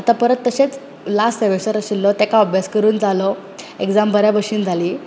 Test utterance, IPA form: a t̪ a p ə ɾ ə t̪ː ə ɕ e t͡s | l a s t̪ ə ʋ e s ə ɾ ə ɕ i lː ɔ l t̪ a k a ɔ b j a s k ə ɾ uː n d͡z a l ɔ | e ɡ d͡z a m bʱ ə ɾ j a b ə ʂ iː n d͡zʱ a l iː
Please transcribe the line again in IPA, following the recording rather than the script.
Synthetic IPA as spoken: a t̪ a p ə ɾ ə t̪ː ə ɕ e t͡s | l a s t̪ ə ʋ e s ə ɾ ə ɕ i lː ɔ t̪ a k a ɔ b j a s k ə ɾ uː n d͡z a l ɔ | e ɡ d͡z a m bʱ ə ɾ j a b ə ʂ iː n d͡zʱ a l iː